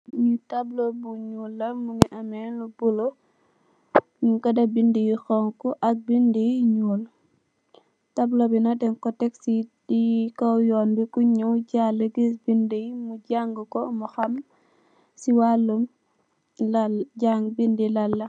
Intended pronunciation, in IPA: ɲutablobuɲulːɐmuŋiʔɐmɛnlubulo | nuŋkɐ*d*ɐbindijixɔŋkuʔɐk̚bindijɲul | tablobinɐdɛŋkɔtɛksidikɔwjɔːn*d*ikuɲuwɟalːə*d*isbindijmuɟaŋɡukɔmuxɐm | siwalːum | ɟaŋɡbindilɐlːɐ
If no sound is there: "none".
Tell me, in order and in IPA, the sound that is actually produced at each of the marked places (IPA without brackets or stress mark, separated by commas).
d, b, ɡ